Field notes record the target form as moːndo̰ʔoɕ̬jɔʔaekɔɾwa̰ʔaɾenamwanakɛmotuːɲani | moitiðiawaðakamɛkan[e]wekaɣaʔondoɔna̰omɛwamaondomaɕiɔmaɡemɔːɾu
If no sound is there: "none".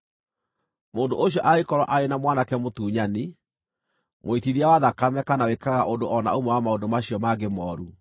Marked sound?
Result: a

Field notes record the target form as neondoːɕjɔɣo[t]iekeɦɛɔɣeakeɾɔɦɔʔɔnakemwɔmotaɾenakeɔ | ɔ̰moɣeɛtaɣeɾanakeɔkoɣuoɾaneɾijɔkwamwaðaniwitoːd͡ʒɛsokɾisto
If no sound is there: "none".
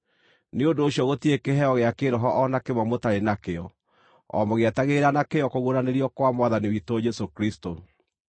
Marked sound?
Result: t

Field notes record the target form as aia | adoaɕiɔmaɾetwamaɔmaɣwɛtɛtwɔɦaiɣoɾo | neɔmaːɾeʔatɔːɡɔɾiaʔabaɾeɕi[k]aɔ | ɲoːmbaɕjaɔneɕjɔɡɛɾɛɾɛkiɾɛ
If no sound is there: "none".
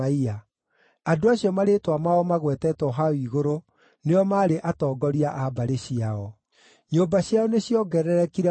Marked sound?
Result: none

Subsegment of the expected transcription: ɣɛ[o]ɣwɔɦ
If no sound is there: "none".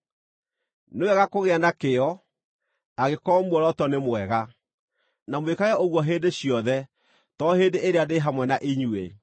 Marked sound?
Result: o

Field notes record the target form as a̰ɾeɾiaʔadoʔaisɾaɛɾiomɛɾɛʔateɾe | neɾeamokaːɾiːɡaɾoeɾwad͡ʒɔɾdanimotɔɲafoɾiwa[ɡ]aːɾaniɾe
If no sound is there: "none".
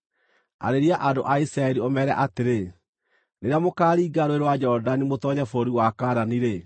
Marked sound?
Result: k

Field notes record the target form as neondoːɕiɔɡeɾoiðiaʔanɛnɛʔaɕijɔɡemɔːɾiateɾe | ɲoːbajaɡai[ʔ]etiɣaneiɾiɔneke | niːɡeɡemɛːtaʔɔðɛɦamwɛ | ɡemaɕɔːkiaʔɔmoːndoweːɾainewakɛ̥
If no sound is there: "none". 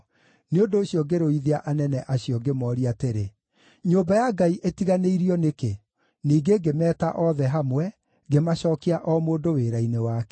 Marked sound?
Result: ʔ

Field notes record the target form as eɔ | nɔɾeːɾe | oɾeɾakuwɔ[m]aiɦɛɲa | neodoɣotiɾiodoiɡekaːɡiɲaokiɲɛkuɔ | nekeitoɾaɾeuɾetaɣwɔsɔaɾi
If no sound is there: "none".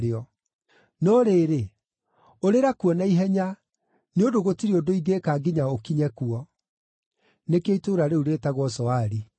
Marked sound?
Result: n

